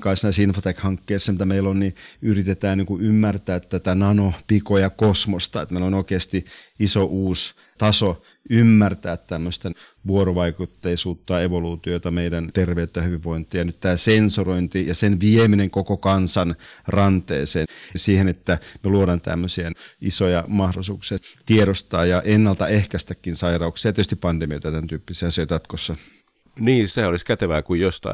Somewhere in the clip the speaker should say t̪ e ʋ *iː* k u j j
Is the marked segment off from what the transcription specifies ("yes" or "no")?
yes